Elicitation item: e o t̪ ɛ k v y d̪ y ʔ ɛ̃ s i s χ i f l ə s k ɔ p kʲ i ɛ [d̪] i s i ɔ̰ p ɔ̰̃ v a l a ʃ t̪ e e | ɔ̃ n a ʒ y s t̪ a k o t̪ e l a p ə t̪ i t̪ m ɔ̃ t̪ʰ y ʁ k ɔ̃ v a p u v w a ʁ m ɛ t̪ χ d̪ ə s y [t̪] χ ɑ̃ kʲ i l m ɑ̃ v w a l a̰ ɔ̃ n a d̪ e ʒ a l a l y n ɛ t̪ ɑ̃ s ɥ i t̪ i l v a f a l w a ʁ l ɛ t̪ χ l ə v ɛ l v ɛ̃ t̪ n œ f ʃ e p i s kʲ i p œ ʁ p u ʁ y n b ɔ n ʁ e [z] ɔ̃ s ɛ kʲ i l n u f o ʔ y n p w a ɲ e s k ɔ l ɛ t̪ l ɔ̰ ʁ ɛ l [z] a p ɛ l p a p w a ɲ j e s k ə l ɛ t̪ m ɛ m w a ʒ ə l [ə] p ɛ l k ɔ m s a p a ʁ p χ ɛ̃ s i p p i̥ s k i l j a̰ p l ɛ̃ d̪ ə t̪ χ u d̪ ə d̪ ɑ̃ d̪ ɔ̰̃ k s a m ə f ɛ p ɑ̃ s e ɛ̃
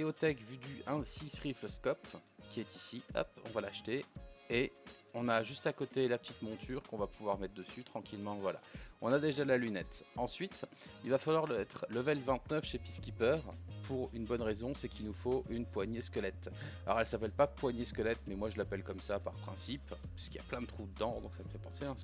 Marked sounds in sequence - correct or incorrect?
incorrect, correct, correct, incorrect, incorrect

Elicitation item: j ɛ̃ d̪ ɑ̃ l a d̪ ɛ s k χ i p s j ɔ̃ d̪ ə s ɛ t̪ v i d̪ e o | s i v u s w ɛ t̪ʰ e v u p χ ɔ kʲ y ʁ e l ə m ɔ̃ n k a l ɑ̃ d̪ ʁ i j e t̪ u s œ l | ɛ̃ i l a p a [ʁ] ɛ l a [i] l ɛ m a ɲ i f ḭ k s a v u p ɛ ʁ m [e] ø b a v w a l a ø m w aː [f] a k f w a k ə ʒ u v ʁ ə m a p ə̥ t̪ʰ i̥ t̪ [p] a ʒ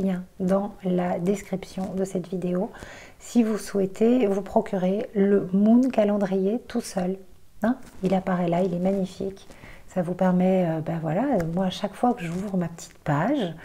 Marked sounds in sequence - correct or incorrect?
correct, correct, incorrect, incorrect, correct

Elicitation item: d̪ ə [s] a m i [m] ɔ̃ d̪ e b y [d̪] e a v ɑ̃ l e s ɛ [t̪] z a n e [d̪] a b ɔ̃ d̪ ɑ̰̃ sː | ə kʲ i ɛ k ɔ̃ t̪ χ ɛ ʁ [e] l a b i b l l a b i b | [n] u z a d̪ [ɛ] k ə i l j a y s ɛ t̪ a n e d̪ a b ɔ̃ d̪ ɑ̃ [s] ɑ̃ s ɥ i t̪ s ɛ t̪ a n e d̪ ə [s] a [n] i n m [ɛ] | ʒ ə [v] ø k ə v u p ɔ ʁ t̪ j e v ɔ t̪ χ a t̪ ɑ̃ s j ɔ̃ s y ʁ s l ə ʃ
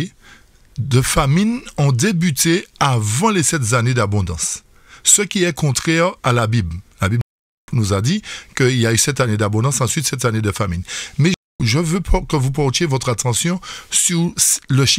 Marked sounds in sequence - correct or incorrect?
incorrect, incorrect, incorrect, correct, correct, incorrect, correct, incorrect, correct, incorrect, incorrect, correct, correct

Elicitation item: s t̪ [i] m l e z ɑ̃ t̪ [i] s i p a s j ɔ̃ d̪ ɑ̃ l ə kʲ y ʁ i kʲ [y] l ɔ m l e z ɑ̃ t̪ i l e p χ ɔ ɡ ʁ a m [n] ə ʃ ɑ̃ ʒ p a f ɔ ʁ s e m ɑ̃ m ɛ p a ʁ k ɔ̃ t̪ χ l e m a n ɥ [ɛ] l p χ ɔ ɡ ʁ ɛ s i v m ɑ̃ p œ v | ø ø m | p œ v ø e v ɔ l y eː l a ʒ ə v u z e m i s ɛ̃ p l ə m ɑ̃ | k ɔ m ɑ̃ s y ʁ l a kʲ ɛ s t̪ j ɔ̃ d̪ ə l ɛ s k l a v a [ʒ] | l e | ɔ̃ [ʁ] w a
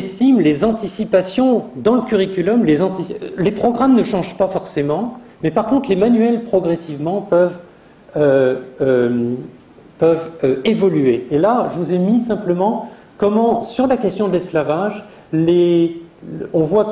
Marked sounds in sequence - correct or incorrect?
correct, correct, correct, correct, correct, correct, incorrect

